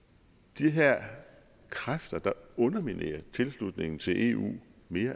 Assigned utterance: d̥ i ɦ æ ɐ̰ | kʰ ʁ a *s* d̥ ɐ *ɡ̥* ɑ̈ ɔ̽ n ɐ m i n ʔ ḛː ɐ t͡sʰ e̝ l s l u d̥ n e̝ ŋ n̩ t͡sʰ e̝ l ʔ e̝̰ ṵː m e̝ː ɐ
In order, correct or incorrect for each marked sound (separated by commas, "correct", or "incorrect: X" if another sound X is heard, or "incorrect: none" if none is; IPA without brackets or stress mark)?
incorrect: f, incorrect: d̥